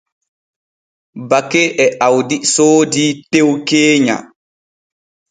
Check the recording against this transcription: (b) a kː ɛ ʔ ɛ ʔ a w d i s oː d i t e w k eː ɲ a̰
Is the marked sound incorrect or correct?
correct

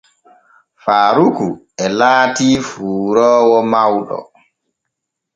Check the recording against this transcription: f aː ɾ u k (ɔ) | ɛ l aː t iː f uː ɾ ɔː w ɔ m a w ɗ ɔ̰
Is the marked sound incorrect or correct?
incorrect: u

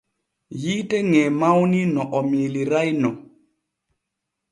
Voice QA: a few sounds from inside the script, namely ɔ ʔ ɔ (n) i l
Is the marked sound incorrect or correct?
incorrect: m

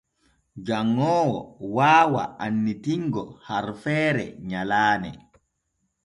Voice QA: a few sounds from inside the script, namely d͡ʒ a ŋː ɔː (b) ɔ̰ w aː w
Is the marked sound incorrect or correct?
incorrect: w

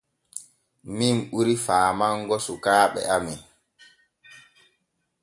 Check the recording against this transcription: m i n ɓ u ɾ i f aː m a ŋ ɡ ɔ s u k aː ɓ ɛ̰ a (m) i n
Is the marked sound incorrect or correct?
correct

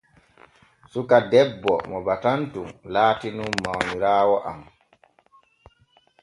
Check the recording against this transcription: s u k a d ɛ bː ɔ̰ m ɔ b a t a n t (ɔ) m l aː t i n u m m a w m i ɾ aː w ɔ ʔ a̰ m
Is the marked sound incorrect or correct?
incorrect: u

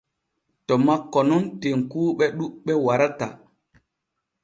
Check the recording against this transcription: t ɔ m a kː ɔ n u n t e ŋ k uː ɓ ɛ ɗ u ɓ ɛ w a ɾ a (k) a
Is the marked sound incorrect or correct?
incorrect: t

